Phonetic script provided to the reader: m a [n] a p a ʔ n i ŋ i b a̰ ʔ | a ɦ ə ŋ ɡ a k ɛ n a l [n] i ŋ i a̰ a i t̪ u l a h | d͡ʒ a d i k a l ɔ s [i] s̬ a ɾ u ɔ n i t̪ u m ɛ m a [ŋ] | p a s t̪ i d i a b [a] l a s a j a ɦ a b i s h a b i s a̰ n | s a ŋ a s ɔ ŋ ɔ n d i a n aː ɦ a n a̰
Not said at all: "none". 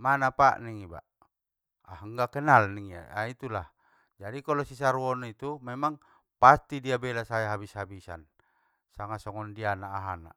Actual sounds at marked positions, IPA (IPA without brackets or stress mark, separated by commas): n, n, i, ŋ, ɛ